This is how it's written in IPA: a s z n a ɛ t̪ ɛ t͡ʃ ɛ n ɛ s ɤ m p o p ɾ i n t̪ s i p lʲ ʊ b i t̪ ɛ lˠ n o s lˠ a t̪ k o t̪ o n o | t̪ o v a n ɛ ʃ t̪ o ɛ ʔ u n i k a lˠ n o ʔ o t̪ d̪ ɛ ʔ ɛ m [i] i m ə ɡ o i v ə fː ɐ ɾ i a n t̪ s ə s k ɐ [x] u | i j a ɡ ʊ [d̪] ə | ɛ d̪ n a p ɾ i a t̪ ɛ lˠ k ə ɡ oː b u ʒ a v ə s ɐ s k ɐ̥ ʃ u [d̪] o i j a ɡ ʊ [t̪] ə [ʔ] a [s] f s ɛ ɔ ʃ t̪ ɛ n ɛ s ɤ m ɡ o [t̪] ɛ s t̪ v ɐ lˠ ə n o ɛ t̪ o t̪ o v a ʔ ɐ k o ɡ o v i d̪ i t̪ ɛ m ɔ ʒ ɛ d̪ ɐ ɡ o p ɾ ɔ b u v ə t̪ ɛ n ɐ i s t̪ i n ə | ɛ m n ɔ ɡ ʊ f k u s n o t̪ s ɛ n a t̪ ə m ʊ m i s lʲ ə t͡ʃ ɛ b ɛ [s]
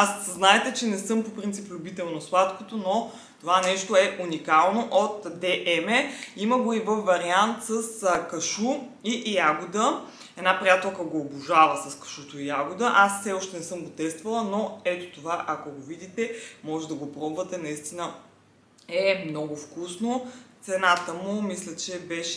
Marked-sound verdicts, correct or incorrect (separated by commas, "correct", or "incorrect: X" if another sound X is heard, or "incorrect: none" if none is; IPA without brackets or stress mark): incorrect: ɛ, incorrect: ʃ, correct, incorrect: t̪, incorrect: d̪, correct, correct, correct, incorrect: ʃ